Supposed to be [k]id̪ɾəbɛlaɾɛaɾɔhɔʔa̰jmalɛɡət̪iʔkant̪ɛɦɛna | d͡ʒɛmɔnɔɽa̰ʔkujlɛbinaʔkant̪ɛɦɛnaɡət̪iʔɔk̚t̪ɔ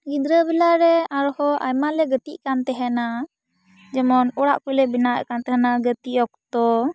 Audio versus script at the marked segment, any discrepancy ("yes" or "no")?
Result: yes